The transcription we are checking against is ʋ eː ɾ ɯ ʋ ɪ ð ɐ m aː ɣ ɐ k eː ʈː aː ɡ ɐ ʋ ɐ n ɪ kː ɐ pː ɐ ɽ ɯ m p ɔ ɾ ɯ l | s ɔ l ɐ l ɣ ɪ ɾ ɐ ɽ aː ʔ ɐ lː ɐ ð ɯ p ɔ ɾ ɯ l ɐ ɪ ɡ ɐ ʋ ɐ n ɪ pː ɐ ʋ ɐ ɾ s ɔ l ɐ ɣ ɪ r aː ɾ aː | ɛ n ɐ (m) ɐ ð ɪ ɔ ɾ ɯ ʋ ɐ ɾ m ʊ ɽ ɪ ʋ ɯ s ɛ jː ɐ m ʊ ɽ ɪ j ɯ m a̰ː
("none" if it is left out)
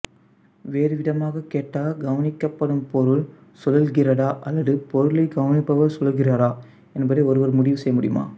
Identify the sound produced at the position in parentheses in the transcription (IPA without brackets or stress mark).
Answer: b